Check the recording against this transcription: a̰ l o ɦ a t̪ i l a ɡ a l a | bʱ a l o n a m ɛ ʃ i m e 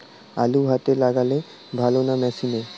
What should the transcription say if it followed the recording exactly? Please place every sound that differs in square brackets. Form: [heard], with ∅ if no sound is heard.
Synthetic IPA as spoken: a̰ l [u] ɦ a t̪ [e] l a ɡ a l [e] | bʱ a l o n a m ɛ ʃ i [n] e